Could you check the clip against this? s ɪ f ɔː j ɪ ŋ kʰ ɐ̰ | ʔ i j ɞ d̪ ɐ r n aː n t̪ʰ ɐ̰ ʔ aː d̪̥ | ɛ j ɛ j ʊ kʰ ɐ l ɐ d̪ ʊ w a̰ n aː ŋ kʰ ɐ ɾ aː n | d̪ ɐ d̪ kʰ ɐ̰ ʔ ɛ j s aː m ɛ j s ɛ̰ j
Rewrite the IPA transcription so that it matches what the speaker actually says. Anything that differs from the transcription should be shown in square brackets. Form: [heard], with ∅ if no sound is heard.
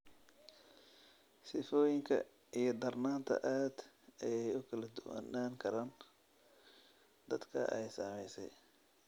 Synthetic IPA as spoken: s ɪ f ɔː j ɪ ŋ kʰ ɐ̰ | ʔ i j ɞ d̪ ɐ r n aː n t̪ʰ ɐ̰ ʔ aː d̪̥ | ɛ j ɛ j ʊ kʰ ɐ l ɐ d̪ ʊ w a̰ n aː ŋ kʰ ɐ ɾ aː n | d̪ ɐ d̪ kʰ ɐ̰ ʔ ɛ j s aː m ɛ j s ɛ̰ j